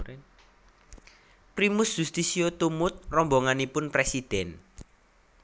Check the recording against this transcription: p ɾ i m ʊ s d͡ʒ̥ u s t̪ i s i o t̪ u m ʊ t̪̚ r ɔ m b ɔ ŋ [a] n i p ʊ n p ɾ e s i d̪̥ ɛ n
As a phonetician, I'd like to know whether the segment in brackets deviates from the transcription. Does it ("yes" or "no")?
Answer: no